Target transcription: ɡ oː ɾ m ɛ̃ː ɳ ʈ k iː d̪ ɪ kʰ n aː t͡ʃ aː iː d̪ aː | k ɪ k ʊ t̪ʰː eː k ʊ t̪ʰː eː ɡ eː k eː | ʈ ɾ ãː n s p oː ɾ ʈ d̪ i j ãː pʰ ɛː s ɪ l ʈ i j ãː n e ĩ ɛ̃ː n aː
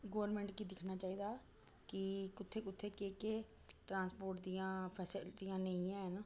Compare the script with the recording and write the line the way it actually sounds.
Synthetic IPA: ɡ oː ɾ m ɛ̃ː ɳ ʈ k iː d̪ ɪ kʰ n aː t͡ʃ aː iː d̪ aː | k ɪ k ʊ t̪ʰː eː k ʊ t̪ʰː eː k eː k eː | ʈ ɾ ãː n s p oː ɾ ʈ d̪ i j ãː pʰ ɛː s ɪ l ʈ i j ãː n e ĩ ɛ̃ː n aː